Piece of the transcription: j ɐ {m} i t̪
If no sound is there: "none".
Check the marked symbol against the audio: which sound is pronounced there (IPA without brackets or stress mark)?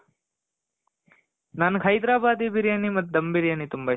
n